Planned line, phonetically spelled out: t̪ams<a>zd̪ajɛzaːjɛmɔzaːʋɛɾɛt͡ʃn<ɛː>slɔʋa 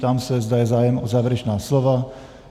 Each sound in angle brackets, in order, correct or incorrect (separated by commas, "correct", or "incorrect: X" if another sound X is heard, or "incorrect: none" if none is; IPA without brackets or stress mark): incorrect: ɛ, incorrect: aː